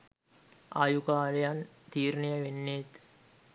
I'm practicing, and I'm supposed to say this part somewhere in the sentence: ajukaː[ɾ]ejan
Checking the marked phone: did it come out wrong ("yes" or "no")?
yes